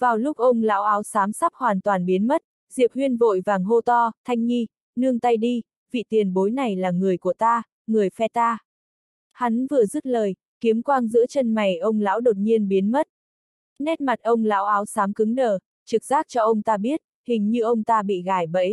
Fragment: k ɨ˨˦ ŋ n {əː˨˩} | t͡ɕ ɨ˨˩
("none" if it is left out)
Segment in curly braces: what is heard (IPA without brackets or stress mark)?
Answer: əː˨˩